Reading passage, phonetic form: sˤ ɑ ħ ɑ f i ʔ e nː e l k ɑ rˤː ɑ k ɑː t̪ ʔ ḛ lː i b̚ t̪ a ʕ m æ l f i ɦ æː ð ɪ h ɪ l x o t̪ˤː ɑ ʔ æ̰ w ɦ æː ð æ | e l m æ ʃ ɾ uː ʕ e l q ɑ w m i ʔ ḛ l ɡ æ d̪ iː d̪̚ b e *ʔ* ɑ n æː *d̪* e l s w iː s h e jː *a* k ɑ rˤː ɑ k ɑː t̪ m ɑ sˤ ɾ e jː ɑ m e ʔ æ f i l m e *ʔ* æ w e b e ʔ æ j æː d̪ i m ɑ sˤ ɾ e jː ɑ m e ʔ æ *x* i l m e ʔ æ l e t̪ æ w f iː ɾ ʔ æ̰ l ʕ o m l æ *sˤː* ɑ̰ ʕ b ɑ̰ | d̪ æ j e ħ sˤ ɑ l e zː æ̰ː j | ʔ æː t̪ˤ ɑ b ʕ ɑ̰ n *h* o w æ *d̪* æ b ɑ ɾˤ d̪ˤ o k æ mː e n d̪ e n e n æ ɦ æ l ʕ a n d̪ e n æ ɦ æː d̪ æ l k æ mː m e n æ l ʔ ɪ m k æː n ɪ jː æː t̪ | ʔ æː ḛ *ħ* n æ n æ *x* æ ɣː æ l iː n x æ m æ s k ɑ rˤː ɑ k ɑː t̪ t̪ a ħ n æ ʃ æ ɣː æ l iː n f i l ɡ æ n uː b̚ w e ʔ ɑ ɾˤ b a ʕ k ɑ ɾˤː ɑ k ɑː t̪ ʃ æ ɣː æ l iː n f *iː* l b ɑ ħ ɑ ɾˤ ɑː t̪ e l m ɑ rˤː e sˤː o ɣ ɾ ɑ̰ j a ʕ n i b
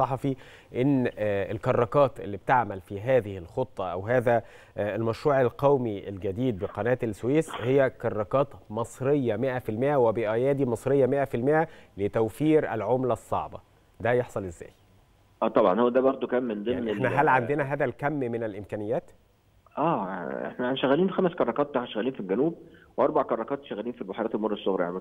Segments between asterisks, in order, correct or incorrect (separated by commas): incorrect, incorrect, incorrect, correct, incorrect, correct, correct, correct, correct, incorrect, incorrect